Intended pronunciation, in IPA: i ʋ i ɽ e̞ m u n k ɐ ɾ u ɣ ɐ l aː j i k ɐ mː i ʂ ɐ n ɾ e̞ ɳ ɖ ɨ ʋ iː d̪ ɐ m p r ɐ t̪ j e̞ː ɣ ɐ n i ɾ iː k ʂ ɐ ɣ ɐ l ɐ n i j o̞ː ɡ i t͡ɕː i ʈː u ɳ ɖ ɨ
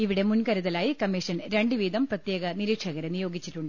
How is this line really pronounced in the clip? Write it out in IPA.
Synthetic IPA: i ʋ i ɽ e̞ m u n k ɐ ɾ u ð ɐ l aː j i k ɐ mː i ʂ ɐ n ɾ e̞ ɳ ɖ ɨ ʋ iː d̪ ɐ m p r ɐ t̪ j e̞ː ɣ ɐ n i ɾ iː k ʂ ɐ ɣ ɐ ɾ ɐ n i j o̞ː ɡ i t͡ɕː i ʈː u ɳ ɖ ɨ